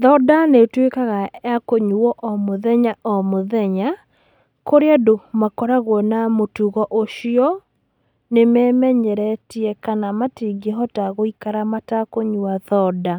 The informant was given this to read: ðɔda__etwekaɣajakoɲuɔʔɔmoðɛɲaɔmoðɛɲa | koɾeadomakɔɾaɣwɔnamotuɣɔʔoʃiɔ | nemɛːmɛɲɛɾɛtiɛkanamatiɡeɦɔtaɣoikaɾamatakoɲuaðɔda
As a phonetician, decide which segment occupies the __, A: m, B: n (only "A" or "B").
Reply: B